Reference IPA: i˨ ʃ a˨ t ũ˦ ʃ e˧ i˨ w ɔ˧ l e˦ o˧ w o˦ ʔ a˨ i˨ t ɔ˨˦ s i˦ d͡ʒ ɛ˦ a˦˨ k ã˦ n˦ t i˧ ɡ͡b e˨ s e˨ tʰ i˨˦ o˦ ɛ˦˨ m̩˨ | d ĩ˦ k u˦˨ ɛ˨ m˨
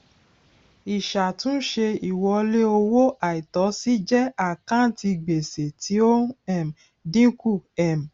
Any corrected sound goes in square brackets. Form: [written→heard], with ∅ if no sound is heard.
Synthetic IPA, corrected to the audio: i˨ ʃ a˨ t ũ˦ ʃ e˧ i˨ w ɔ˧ l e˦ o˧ w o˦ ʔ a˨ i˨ t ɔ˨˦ s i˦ d͡ʒ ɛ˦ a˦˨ k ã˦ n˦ t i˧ ɡ͡b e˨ s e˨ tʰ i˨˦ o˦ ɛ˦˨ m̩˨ | d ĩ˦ k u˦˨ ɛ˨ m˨